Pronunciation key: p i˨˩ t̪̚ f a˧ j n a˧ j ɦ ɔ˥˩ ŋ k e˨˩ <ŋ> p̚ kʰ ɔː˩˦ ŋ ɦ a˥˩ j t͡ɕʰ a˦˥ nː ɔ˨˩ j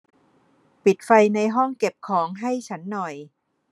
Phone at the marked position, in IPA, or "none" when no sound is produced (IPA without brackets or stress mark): none